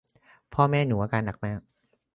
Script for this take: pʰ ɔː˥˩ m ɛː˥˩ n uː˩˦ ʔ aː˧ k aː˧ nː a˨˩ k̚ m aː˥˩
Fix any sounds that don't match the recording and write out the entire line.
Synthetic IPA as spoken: pʰ ɔː˥˩ m ɛː˥˩ n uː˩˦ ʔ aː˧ k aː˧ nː a˨˩ k̚ m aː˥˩